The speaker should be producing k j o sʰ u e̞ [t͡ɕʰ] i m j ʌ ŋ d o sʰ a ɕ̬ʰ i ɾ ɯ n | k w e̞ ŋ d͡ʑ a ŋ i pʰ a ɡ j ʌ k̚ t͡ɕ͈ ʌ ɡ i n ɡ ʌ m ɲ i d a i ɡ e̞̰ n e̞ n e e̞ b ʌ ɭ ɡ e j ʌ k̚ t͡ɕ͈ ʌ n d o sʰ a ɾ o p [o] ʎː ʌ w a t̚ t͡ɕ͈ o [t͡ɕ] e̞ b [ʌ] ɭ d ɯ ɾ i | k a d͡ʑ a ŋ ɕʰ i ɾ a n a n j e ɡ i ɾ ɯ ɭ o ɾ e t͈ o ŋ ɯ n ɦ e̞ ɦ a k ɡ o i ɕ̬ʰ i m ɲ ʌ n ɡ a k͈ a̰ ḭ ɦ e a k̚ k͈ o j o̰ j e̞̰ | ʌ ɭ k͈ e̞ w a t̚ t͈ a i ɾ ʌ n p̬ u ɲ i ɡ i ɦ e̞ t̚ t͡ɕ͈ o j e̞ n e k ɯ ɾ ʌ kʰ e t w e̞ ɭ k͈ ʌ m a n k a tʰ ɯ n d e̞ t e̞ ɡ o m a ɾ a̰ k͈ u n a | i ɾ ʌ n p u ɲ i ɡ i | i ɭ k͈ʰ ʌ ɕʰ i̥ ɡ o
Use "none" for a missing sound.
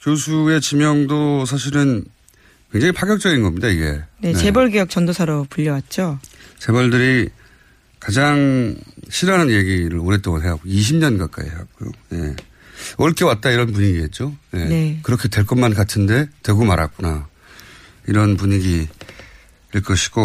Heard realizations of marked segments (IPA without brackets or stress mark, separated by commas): t͡ɕ, u, t͡ɕ, ʌ